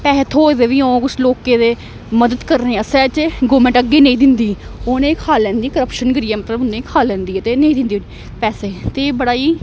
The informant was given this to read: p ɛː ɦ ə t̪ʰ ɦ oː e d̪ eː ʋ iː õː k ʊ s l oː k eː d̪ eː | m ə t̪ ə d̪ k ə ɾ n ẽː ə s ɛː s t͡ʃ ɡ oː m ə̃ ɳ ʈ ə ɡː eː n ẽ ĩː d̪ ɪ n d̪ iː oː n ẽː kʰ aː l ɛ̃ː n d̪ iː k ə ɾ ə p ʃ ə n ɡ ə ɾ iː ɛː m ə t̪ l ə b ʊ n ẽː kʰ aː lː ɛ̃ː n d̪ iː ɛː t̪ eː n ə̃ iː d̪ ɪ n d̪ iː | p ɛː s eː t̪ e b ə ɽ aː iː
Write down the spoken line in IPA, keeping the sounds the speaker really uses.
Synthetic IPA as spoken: p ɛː ɦ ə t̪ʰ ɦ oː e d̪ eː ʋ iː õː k ʊ s l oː k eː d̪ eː | m ə d̪ ə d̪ k ə ɾ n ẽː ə s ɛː t͡ʃ ɡ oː m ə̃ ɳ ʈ ə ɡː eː n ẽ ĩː d̪ ɪ n d̪ iː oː n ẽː kʰ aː l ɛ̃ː n d̪ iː k ə ɾ ə p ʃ ə n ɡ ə ɾ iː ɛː m ə t̪ l ə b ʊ n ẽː kʰ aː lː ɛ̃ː n d̪ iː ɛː t̪ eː n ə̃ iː d̪ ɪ n d̪ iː | p ɛː s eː t̪ e b ə ɽ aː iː